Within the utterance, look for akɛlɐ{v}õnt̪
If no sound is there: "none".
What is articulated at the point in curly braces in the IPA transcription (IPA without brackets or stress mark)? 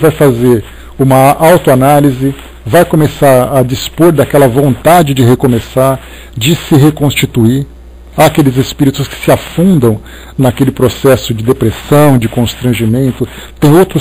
v